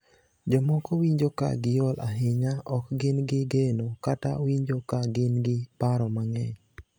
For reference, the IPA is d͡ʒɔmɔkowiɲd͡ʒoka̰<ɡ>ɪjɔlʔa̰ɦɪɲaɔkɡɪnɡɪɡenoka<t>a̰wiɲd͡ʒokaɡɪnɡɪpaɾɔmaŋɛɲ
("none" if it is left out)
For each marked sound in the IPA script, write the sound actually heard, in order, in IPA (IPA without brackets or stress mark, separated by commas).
ɡ, t